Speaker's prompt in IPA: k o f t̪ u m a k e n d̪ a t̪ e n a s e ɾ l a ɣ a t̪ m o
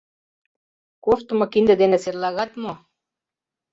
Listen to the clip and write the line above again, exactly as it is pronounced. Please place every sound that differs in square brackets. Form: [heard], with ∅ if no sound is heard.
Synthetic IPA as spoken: k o f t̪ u m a k [i] n d̪ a [d̪] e n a s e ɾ l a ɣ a t̪ m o